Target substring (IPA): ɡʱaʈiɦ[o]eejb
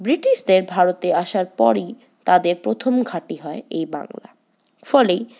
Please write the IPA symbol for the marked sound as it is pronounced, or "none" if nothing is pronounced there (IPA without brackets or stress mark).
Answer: ɔ